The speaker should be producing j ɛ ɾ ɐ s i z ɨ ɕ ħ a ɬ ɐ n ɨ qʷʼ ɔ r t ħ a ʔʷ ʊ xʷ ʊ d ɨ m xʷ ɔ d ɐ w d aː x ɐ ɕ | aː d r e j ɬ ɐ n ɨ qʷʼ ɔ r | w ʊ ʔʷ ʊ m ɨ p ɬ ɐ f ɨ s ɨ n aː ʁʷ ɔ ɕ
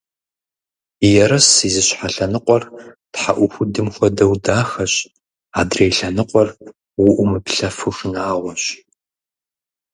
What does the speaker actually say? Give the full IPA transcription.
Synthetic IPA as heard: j ɛ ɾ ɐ s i z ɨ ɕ ħ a ɬ ɐ n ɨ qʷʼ ɔ r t ħ a ʔʷ ʊ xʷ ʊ d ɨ m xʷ ɔ d ɐ w d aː x ɐ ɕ | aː d r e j ɬ ɐ n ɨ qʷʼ ɔ r | w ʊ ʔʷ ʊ m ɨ p ɬ ɐ f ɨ x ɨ n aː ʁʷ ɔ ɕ

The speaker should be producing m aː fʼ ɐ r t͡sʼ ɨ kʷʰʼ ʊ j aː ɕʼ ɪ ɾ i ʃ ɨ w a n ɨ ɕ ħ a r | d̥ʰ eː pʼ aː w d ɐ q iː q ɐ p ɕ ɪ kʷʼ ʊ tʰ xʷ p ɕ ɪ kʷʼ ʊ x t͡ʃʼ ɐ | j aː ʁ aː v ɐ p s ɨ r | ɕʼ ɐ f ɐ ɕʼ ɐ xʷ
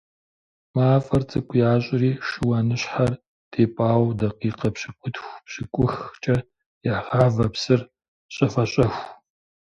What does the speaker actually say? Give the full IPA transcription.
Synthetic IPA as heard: m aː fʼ ɐ r t͡sʼ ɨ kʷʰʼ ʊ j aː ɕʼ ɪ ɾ iː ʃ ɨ w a n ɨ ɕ ħ a r | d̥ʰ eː pʼ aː w d ɐ q iː q ɐ p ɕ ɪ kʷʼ ʊ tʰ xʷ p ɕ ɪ kʷʼ ʊ x t͡ʃʼ ɐ | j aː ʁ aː v ɐ p s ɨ r | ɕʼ ɐ f ɐ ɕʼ ɐ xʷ

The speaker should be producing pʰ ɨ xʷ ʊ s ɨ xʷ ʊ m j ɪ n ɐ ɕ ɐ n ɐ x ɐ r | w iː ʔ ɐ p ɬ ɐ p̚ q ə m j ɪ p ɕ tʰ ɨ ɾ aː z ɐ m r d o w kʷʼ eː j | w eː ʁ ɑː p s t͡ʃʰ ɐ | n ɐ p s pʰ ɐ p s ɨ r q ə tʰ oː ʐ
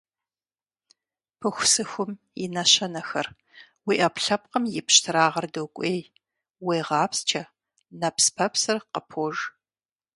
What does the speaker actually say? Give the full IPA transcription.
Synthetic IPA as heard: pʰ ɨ xʷ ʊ s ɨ xʷ ʊ m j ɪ n ɐ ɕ ɐ n ɐ x ɐ r | w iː ʔ ɐ p ɬ ɐ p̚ q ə m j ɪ p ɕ tʰ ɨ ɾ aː ʁ ɐ r d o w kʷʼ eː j | w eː ʁ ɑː p s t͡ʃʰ ɐ | n ɐ p s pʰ ɐ p s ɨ r q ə pʰ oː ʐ

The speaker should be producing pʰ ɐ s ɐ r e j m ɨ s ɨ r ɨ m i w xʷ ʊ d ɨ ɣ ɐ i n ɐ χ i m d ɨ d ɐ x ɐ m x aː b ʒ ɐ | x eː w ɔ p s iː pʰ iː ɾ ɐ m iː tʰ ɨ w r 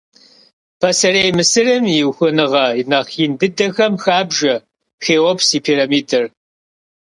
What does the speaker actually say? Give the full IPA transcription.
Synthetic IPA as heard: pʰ ɐ s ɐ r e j m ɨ s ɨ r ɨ m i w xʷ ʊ n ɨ ʁ ɐ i n ɐ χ i n d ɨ d ɐ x ɐ m x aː b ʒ ɐ | x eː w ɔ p s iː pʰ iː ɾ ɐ m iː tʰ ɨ r

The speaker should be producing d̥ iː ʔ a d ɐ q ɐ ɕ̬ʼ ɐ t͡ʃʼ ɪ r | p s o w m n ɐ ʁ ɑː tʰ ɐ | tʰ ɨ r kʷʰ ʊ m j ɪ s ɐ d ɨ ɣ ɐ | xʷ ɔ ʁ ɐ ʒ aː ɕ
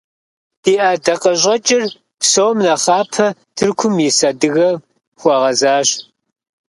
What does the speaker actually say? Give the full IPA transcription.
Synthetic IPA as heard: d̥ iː ʔ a d ɐ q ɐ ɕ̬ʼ ɐ t͡ʃʼ ɪ r | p s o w m n ɐ χ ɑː pʰ ɐ | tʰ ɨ r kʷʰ ʊ m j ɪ s ɐ d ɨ ɣ ɐ | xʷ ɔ ʁ ɐ z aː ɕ

